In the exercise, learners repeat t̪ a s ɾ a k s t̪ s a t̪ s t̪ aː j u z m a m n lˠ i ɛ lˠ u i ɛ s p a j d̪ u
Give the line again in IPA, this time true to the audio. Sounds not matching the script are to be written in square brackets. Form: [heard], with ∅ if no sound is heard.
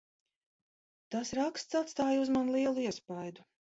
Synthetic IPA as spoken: t̪ a s ɾ a k s t̪ s a t̪ s t̪ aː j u z m a [∅] n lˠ i ɛ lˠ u i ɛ s p a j d̪ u